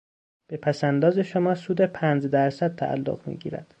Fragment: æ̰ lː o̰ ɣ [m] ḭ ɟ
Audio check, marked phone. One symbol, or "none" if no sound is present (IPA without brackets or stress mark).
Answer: m